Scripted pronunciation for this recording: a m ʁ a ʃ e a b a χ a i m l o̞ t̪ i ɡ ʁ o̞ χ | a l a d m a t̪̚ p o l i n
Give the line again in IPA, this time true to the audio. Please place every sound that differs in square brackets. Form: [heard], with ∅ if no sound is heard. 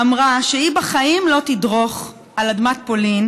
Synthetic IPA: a m ʁ a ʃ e [i] b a χ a i m l o̞ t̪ i [d] ʁ o̞ χ | a l a d m a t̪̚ p o l i n

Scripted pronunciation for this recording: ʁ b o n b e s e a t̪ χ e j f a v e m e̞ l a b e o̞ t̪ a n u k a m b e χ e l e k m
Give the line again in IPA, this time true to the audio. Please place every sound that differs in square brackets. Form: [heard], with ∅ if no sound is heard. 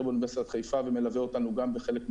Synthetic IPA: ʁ b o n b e s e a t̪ χ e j f a v e m e̞ l a [v] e o̞ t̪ a n u [ɡ] a m b e χ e l e k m

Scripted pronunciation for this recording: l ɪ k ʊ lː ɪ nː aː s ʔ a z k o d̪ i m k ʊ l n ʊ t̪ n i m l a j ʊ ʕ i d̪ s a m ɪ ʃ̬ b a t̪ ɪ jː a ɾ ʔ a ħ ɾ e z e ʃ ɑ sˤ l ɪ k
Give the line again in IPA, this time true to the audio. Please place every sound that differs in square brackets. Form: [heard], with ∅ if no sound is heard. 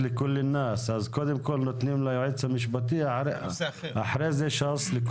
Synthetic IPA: l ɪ k ʊ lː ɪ nː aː s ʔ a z k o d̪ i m k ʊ l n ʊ t̪ n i m l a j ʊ ʕ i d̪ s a m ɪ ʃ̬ b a t̪ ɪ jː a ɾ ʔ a ħ ɾ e z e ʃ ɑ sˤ l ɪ k

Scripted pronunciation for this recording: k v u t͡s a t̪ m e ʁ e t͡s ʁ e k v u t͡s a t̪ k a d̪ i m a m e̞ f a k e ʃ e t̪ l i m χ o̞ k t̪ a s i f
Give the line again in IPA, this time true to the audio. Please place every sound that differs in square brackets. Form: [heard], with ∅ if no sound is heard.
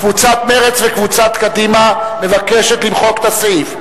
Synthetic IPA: k v u t͡s a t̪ m e ʁ e t͡s [v] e k v u t͡s a t̪ k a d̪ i m a m e̞ [v] a k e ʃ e t̪ l i m χ o̞ k t̪ a s i f

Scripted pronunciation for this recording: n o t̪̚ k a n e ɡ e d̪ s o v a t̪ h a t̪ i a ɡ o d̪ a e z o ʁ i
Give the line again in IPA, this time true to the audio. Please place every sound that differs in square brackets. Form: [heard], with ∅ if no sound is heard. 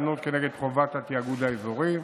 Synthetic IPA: n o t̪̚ k [e] n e ɡ e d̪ [χ] o v a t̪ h a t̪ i a ɡ [u] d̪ a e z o ʁ i

